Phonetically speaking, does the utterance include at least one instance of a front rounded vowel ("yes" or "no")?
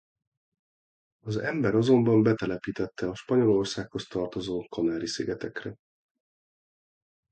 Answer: no